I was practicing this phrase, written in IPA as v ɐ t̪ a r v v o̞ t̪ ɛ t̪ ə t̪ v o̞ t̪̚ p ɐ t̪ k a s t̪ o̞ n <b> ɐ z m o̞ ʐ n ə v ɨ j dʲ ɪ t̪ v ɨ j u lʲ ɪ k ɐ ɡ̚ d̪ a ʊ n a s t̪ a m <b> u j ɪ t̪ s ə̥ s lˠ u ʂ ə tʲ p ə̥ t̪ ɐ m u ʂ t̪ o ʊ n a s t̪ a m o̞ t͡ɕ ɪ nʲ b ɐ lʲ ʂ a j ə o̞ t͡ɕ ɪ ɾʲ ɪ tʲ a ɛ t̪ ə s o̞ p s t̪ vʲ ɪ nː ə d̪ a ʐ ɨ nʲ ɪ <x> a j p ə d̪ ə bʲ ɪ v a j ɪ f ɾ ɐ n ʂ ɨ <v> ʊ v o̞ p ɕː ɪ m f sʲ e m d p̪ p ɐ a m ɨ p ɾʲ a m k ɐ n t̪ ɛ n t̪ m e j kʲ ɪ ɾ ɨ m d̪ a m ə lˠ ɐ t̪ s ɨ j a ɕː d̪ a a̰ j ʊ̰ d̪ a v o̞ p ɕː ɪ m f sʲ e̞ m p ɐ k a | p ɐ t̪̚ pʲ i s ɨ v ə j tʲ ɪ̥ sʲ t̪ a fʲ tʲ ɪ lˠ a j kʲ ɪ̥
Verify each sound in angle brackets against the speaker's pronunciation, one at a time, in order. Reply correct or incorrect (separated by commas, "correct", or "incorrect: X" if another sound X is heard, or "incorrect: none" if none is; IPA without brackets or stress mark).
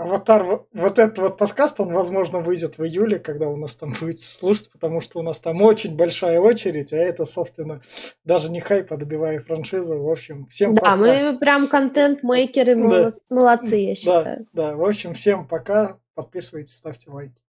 incorrect: v, correct, correct, incorrect: z